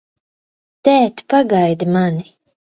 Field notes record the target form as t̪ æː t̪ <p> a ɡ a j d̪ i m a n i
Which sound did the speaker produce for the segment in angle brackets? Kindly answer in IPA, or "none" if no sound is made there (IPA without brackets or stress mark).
p